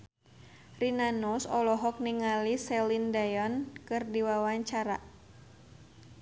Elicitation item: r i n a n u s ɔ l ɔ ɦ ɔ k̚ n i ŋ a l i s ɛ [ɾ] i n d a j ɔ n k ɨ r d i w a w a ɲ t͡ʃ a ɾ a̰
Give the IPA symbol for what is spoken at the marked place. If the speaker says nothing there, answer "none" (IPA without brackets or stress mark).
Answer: l